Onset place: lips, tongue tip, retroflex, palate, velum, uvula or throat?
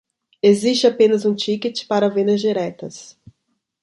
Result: tongue tip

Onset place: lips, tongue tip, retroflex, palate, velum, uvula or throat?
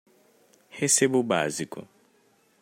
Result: throat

